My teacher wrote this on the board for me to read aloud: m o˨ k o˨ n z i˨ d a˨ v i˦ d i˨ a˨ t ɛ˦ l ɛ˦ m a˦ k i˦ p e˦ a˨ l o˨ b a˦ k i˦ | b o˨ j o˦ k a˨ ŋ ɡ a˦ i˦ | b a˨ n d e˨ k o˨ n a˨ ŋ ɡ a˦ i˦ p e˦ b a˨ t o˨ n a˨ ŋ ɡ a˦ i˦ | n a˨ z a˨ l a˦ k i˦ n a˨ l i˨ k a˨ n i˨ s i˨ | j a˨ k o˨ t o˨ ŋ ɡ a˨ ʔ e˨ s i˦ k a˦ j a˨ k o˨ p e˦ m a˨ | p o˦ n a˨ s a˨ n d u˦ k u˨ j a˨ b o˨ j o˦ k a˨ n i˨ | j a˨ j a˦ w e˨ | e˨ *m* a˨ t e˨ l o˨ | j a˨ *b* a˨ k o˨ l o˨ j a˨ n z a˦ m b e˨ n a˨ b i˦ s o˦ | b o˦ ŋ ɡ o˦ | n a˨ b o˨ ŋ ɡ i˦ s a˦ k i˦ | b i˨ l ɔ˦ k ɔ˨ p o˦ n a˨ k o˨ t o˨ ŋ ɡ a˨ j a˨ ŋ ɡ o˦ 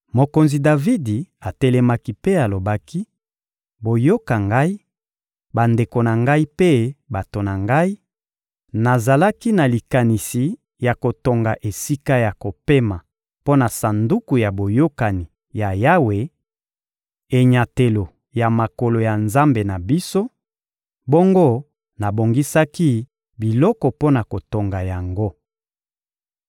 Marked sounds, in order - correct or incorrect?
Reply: incorrect, incorrect

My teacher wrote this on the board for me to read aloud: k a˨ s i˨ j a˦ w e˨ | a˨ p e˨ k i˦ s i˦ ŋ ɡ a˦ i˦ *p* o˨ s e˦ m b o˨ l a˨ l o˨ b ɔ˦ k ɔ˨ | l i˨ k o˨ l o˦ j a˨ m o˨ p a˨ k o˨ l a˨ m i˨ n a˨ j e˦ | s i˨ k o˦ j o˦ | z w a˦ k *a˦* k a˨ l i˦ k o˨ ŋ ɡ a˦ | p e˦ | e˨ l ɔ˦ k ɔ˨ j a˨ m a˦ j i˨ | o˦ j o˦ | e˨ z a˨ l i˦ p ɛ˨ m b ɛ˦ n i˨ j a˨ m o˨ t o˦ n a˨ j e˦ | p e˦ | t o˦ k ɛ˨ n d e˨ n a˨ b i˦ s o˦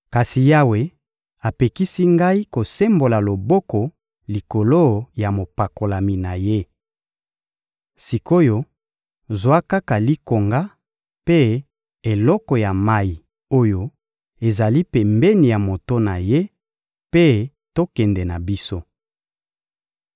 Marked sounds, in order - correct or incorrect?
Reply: incorrect, correct

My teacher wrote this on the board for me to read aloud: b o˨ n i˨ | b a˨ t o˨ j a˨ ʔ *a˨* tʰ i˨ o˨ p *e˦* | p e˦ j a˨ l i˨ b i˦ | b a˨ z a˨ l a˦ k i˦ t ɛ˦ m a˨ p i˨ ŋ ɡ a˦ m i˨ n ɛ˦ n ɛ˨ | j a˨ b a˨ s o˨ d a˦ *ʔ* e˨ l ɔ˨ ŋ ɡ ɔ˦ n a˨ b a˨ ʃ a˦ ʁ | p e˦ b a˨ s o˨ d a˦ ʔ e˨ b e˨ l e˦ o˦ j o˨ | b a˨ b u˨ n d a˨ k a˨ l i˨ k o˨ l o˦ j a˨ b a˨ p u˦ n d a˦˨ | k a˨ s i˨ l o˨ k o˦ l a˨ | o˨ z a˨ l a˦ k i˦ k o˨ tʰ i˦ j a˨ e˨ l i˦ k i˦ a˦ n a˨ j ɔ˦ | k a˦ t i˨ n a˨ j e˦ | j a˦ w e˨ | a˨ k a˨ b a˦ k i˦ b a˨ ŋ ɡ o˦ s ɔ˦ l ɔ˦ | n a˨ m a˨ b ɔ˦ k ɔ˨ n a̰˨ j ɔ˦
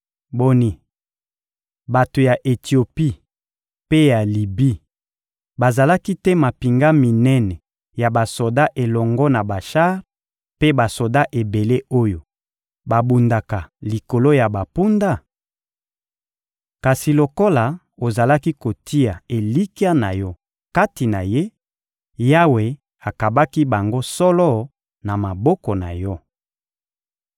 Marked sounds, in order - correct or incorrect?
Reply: incorrect, incorrect, correct

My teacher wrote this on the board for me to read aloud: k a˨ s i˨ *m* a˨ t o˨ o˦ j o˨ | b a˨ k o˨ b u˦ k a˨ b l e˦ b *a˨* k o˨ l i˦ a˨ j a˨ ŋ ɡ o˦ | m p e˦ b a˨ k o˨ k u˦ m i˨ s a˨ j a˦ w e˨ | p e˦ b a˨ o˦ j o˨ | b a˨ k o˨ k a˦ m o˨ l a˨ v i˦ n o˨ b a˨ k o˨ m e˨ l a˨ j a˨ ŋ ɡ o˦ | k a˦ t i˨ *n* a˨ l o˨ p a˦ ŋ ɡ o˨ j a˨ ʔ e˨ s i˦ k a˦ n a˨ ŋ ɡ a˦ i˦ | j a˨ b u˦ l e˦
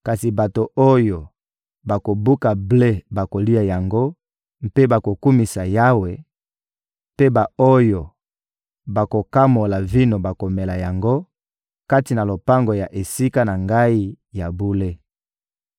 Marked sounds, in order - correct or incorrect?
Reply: incorrect, correct, correct

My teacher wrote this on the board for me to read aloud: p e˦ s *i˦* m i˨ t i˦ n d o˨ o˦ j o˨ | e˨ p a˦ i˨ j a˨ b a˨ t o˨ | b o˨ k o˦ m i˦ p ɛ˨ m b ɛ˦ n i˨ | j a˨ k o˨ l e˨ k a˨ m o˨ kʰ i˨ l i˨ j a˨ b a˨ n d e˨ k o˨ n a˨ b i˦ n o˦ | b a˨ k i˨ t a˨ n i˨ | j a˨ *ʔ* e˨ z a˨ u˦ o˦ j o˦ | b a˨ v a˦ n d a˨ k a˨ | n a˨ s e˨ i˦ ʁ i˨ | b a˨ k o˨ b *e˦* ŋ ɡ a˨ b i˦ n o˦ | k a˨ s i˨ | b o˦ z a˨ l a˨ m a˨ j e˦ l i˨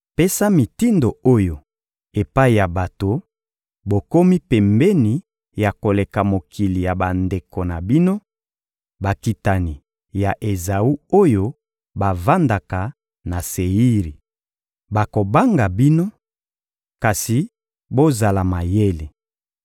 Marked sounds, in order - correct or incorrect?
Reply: incorrect, correct, incorrect

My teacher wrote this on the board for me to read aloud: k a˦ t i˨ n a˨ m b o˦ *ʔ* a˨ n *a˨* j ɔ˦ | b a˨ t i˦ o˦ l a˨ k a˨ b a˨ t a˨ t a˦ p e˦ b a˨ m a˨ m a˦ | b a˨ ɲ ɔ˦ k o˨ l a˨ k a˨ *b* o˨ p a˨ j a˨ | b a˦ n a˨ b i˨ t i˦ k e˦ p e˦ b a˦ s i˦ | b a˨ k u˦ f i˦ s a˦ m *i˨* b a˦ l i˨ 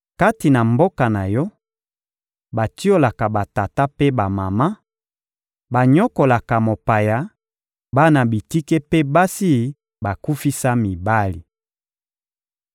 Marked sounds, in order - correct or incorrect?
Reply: incorrect, correct, incorrect, correct

